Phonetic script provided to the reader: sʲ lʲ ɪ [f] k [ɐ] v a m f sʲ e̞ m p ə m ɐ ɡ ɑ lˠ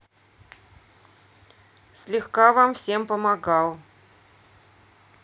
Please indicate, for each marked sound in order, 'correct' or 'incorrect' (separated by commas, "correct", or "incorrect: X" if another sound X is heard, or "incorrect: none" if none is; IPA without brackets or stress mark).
incorrect: x, incorrect: a